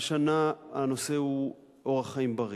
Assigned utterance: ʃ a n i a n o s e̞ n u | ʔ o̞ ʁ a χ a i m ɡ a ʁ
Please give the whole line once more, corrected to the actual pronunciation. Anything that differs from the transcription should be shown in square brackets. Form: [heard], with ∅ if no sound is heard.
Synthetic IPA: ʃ a n [a] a n o s e̞ [∅] u | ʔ o̞ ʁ a χ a i m [b] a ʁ